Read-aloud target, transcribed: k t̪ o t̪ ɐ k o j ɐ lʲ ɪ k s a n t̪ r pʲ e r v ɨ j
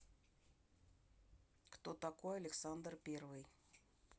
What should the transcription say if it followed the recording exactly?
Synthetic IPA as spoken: k t̪ o t̪ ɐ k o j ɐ lʲ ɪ k s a n d̪ r pʲ e r v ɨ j